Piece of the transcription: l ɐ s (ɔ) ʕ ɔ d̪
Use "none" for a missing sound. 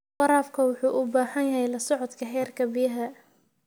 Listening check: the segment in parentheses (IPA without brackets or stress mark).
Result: ɔ